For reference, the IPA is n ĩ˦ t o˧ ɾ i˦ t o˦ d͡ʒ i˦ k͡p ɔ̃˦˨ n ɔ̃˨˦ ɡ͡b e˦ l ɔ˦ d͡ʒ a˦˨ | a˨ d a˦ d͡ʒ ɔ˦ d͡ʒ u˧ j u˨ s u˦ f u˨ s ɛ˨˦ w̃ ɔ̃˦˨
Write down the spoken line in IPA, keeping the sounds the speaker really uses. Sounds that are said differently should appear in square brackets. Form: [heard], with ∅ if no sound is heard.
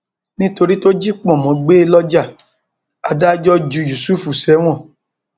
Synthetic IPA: n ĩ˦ t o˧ ɾ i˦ t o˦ d͡ʒ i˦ k͡p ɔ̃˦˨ [m] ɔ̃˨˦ ɡ͡b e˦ l ɔ˦ d͡ʒ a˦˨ | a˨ d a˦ d͡ʒ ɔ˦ d͡ʒ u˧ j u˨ s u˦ f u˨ s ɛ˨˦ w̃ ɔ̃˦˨